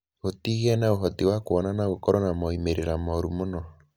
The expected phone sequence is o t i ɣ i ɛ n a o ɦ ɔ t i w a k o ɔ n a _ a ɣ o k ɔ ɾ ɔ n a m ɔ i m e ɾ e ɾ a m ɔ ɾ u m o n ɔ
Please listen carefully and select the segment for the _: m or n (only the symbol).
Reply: n